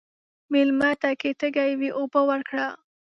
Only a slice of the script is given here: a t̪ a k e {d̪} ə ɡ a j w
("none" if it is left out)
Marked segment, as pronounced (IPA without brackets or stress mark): t̪